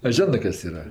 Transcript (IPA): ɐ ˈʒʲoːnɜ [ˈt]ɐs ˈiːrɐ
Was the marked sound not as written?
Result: yes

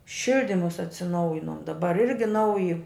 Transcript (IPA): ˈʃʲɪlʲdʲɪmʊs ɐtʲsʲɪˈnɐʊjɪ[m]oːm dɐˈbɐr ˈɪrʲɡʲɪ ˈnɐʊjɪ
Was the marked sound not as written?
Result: yes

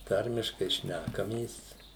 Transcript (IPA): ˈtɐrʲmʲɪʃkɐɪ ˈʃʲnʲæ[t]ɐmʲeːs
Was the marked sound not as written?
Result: yes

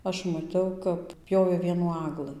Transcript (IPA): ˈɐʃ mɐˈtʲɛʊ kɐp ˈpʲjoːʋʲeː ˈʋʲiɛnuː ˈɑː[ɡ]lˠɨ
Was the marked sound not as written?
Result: no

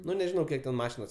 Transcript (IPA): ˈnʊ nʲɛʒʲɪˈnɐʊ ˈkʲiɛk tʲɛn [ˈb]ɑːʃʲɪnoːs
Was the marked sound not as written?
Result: yes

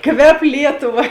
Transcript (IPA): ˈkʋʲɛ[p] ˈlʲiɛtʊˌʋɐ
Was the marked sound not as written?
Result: no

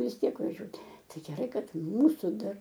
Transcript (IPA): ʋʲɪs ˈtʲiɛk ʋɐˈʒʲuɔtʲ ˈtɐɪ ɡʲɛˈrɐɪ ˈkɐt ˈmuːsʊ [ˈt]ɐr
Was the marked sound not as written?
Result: yes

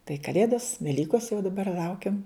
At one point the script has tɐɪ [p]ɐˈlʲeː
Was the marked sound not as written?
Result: yes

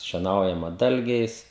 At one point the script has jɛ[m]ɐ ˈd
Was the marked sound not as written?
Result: no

